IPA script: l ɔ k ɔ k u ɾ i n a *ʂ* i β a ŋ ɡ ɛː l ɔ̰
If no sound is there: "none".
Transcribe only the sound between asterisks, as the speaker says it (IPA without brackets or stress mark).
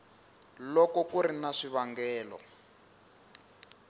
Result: ʂ